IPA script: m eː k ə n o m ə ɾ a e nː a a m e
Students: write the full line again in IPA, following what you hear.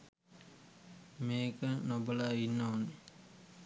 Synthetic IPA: m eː k ə n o b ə l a i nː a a n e